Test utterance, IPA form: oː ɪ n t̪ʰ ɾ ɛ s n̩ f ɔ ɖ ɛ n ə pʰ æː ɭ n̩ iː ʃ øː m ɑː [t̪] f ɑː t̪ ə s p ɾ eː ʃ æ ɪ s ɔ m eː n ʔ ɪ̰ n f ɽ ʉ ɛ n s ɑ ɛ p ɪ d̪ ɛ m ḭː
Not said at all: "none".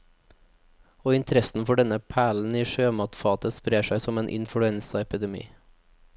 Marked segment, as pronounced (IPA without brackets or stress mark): t̪